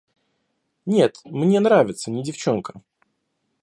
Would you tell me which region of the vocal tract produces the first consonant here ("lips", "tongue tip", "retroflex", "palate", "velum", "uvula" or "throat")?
tongue tip